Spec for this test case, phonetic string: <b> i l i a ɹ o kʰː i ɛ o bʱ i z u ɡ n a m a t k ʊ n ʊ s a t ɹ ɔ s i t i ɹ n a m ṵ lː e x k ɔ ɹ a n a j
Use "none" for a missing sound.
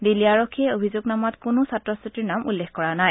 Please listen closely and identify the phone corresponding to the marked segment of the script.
d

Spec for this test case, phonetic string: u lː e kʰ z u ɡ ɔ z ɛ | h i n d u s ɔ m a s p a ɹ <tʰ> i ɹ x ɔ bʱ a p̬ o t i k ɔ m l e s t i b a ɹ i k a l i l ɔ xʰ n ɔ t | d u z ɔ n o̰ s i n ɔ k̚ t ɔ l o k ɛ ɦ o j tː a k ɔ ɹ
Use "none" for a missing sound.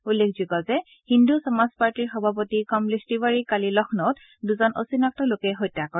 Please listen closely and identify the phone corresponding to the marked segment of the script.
t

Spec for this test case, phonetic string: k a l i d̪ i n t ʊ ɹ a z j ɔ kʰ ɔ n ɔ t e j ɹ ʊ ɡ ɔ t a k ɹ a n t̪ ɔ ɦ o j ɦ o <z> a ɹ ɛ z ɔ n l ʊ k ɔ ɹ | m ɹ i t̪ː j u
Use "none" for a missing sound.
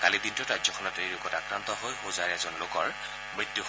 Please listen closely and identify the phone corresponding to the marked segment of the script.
z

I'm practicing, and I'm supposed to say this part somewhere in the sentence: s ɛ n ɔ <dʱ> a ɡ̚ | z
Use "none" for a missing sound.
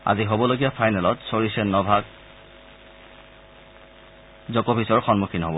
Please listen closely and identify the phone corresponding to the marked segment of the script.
bʱ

